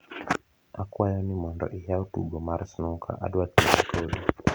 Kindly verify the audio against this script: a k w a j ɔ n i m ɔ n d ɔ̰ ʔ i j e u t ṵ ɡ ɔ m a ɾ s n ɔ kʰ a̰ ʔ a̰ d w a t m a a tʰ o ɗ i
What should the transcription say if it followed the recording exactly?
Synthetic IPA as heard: a k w a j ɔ n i m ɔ n d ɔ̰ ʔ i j a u t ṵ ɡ ɔ m a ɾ s n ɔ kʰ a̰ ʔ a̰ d w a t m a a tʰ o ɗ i